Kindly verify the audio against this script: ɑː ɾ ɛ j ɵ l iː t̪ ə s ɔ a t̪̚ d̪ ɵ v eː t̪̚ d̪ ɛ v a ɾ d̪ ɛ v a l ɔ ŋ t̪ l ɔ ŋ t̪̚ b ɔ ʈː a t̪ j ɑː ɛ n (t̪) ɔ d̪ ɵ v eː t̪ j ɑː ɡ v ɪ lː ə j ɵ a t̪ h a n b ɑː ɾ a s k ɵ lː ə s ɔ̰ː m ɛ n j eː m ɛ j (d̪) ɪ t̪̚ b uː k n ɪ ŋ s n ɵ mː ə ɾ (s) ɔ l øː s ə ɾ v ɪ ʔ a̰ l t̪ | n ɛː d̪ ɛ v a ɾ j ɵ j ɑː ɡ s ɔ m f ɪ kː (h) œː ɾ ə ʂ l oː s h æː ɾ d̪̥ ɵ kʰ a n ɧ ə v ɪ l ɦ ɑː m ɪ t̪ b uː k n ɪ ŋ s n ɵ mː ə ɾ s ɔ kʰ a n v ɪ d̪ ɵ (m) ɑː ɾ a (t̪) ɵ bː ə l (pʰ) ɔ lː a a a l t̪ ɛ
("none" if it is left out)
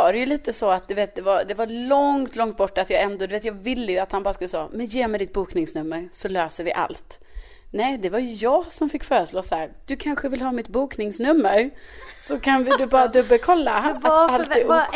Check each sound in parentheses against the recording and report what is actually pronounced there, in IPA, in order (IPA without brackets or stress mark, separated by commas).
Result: d̪, d̪, s, f, b, d̪, kʰ